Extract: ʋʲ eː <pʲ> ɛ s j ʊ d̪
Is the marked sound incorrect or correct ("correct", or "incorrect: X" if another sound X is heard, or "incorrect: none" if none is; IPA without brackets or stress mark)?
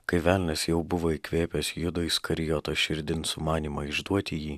correct